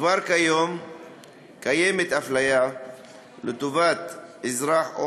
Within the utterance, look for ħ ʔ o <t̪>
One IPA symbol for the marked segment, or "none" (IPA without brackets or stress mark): none